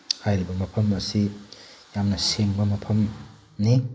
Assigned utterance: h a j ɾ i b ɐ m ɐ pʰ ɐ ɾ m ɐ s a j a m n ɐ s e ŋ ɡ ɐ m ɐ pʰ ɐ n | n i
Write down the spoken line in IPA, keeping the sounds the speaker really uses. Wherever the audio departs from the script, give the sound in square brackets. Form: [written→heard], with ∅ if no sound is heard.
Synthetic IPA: h a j ɾ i b ɐ m ɐ pʰ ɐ [ɾ→∅] m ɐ s [a→i] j a m n ɐ s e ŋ [ɡ→b] ɐ m ɐ pʰ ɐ [n→m] | n i